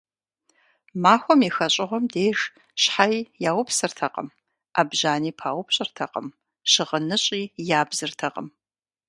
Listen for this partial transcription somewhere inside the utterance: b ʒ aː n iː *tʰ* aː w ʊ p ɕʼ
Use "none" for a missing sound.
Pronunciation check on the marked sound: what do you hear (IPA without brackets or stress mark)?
pʰ